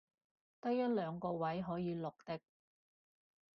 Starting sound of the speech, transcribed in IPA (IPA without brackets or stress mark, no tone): t̪